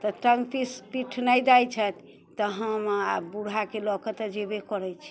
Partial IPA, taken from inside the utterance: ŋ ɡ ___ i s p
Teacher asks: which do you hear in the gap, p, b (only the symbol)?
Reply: p